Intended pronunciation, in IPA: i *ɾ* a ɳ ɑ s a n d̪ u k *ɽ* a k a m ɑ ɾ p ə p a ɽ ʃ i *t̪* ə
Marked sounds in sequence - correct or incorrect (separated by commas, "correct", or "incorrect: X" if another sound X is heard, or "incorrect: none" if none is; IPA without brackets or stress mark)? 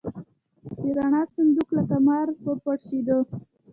correct, incorrect: l, incorrect: d̪